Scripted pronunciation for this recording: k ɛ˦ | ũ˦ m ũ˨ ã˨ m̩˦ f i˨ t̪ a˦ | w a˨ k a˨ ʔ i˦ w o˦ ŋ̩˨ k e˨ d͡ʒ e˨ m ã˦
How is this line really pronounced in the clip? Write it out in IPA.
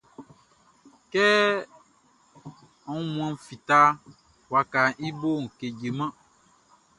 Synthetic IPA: k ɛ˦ | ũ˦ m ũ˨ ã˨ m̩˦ f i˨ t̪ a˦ | w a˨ k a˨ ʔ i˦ b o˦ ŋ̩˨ k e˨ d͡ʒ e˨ m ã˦